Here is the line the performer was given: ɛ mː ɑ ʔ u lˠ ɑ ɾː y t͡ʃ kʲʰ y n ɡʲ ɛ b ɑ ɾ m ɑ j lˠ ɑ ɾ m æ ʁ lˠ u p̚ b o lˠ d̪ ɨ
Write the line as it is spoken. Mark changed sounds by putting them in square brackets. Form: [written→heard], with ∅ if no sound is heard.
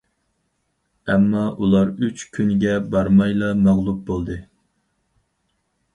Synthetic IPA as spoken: ɛ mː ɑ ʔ u lˠ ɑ [ɾː→ɾ] y t͡ʃ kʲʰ y n ɡʲ ɛ b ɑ ɾ m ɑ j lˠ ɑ [ɾ→∅] m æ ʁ lˠ u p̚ b o lˠ d̪ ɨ